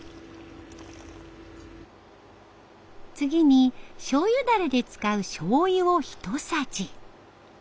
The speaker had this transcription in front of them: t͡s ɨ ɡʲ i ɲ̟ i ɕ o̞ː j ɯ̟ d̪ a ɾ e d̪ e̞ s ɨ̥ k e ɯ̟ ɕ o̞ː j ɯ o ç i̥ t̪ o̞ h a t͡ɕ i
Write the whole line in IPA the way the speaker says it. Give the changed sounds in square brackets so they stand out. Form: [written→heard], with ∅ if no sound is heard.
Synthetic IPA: t͡s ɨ ɡʲ i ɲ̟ i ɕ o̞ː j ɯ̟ d̪ a ɾ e d̪ e̞ [s→t͡s] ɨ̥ k [e→a] ɯ̟ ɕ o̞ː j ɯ o ç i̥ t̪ o̞ [h→s] a t͡ɕ i

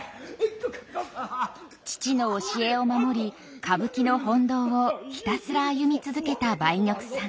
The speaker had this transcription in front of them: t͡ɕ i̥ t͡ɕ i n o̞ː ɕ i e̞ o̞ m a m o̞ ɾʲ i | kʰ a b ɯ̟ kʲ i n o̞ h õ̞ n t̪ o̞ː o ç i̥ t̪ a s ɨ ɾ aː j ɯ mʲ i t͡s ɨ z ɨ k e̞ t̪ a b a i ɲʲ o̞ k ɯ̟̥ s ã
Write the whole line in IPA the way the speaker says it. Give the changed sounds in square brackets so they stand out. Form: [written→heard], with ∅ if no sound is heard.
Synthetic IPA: t͡ɕ i̥ t͡ɕ i n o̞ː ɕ i e̞ o̞ m a m o̞ ɾʲ i | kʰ a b ɯ̟ kʲ i n o̞ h õ̞ n [t̪→d̪] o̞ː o ç i̥ t̪ a s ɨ ɾ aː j ɯ mʲ i t͡s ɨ z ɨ k e̞ t̪ a b a i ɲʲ o̞ k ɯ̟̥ s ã

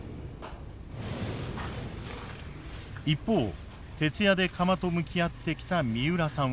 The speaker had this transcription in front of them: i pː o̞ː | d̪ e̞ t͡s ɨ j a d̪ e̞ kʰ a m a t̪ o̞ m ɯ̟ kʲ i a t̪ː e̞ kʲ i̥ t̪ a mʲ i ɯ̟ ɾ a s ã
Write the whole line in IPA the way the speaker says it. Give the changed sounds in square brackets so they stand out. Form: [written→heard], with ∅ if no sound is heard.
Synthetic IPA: i pː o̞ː | [d̪→t̪] e̞ t͡s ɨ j a d̪ e̞ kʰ a m a t̪ o̞ m ɯ̟ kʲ i a t̪ː e̞ kʲ i̥ t̪ a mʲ i ɯ̟ ɾ a s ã

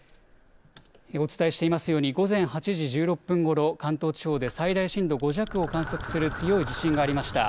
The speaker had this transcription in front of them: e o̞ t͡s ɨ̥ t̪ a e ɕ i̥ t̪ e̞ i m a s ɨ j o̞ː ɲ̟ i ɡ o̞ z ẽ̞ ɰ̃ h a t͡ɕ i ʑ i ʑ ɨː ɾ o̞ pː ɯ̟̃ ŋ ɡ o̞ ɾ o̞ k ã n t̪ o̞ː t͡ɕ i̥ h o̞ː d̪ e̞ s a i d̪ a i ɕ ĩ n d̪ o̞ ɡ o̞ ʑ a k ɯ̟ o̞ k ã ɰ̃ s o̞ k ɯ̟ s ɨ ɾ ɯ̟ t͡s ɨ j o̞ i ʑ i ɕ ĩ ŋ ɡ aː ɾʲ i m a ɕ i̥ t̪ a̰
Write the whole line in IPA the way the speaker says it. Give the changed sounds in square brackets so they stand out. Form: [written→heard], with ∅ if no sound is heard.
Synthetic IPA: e o̞ t͡s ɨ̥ t̪ a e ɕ i̥ t̪ e̞ i m a s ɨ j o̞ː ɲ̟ i ɡ o̞ z ẽ̞ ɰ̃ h a t͡ɕ i ʑ i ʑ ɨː ɾ o̞ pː ɯ̟̃ ŋ ɡ o̞ ɾ o̞ k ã n t̪ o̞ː t͡ɕ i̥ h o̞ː d̪ e̞ s a i d̪ a i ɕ ĩ n d̪ o̞ ɡ o̞ ʑ a k ɯ̟ o̞ k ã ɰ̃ s o̞ k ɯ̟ s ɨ ɾ ɯ̟ t͡s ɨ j o̞ i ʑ i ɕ ĩ ŋ ɡ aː ɾʲ i m a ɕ i̥ t̪ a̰

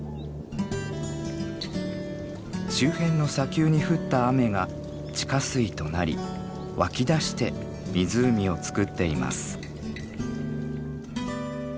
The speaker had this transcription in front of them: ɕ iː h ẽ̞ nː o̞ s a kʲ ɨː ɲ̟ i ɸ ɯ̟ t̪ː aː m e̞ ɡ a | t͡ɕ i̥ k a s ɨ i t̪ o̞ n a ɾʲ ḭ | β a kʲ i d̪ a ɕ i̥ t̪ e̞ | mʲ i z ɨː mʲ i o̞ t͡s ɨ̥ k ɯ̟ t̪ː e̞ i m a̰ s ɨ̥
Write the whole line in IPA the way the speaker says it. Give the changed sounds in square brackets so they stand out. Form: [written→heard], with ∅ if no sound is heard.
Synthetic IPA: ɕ [iː→ɨː] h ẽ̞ nː o̞ s a kʲ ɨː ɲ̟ i ɸ ɯ̟ t̪ː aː m e̞ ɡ a | t͡ɕ i̥ k a s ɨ i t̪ o̞ n a ɾʲ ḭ | β a kʲ i d̪ a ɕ i̥ t̪ e̞ | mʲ i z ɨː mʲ i o̞ t͡s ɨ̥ k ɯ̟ t̪ː e̞ i m a̰ s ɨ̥

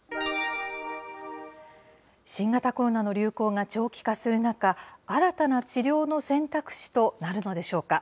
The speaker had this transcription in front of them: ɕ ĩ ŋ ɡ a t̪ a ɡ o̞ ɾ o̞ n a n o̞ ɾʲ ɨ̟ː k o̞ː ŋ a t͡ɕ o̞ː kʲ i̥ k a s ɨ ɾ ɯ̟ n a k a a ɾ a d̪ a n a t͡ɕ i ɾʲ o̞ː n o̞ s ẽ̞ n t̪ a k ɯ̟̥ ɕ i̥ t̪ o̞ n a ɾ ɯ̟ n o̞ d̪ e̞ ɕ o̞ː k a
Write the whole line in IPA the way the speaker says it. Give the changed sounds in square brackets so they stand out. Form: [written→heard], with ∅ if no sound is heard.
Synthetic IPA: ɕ ĩ ŋ ɡ a t̪ a [ɡ→k] o̞ ɾ o̞ n a n o̞ ɾʲ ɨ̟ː k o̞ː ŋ a t͡ɕ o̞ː kʲ i̥ k a s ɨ ɾ ɯ̟ n a k a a ɾ a [d̪→t̪] a n a t͡ɕ i ɾʲ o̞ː n o̞ s ẽ̞ n t̪ a k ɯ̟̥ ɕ i̥ t̪ o̞ n a ɾ ɯ̟ n o̞ d̪ e̞ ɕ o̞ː k a

